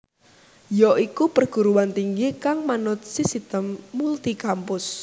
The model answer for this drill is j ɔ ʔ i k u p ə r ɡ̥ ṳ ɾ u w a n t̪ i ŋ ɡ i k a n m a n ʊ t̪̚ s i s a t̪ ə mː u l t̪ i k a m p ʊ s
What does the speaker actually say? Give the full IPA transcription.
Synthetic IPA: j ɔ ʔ i k u p ə r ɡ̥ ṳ ɾ u w a n t̪ i ŋ ɡ i k a ŋ m a n ʊ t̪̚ s i s i t̪ ə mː u l t̪ i k a m p ʊ s